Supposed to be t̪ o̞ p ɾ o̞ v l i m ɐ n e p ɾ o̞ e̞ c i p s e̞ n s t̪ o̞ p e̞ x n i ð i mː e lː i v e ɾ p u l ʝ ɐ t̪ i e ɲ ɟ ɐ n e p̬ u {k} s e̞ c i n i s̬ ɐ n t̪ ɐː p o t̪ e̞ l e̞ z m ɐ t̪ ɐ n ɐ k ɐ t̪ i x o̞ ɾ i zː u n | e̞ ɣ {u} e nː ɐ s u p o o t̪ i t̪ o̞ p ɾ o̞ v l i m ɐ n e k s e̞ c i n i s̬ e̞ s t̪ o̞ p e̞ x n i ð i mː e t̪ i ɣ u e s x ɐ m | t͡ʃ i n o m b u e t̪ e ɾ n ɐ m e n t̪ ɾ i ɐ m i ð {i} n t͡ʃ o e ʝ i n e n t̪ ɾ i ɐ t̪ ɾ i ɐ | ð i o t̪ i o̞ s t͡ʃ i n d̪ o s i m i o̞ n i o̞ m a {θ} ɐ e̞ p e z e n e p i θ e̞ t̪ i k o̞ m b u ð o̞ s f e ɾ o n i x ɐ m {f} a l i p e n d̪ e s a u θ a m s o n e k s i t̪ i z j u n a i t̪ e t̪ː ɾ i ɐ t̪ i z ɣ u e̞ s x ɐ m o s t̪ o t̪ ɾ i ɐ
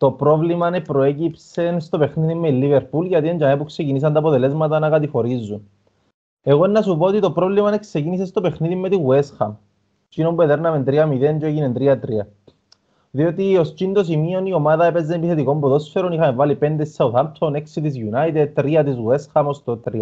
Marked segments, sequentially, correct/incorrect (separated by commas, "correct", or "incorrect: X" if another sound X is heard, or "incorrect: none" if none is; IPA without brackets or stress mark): correct, incorrect: o, incorrect: e, incorrect: ð, incorrect: v